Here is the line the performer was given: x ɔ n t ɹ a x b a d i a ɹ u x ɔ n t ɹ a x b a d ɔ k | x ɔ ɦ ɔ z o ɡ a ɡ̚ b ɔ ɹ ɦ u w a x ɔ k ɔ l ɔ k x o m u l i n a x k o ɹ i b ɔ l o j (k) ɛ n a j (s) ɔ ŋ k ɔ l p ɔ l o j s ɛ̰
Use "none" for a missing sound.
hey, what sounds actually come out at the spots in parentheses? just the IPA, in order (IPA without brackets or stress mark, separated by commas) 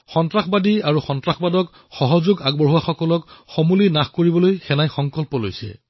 x, x